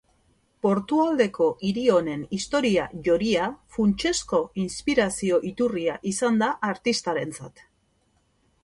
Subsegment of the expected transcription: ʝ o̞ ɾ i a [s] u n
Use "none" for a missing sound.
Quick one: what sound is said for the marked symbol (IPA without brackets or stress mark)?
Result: f